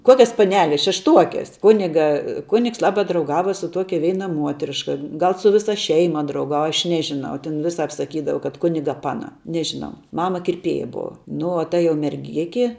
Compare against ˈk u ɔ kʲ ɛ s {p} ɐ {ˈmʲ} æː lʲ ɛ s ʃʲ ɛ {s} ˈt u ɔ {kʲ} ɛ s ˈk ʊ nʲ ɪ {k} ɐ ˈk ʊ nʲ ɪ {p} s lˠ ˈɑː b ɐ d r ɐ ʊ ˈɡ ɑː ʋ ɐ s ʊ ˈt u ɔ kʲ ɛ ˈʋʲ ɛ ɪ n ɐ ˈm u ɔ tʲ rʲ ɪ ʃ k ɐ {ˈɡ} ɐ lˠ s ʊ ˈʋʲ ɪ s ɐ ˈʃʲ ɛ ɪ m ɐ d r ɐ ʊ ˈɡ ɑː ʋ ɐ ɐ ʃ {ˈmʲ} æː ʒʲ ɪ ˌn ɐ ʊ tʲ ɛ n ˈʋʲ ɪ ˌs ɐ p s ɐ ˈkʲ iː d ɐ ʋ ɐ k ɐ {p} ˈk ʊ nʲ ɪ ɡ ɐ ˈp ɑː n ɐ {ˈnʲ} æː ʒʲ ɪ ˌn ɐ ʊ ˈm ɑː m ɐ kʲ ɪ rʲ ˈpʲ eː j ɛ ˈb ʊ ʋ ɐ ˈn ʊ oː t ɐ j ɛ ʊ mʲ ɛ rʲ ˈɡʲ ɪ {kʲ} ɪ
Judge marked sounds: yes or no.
yes, no, no, yes, no, no, yes, no, no, yes, yes

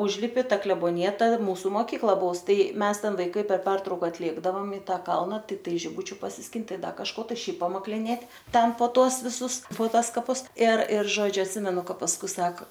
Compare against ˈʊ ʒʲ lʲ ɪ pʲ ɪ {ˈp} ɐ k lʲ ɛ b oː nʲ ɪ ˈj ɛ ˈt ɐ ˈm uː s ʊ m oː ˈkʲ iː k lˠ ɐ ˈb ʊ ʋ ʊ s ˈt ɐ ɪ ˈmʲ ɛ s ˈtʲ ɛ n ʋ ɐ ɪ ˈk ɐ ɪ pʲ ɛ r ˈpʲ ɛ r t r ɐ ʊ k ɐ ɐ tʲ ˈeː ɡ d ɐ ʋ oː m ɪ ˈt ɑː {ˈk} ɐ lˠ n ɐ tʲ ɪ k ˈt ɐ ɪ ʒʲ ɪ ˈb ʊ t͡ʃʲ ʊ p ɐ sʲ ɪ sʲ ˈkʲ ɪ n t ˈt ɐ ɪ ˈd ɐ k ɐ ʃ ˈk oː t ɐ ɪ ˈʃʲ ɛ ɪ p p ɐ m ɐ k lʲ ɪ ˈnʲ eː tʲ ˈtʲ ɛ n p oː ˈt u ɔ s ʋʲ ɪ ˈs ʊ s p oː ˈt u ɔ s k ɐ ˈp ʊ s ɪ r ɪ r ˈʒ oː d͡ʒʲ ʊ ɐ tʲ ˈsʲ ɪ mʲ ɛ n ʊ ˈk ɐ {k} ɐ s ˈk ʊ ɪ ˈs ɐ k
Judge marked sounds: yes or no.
no, yes, no

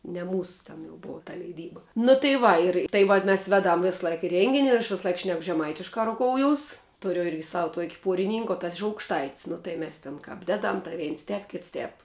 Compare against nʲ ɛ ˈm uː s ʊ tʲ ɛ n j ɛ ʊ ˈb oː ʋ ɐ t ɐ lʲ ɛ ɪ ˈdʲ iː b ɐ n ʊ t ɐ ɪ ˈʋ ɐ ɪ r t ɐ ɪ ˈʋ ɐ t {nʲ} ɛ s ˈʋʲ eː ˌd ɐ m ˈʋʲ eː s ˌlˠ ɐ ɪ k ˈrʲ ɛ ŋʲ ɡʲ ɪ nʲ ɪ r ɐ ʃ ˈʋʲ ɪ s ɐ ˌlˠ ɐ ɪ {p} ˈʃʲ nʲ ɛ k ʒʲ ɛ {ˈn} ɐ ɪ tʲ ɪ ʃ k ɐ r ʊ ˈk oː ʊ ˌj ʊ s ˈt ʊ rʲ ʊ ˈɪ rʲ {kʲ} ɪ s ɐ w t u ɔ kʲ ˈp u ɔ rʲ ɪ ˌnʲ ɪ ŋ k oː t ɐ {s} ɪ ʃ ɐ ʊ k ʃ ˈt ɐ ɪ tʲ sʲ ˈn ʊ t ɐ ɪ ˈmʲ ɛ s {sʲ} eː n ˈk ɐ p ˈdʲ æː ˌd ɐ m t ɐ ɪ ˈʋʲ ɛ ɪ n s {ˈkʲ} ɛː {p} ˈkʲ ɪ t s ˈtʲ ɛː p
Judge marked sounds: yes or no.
no, no, no, no, yes, no, no, yes

